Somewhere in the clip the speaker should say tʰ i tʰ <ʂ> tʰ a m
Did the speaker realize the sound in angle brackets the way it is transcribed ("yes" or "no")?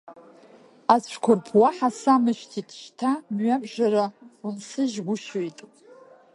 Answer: no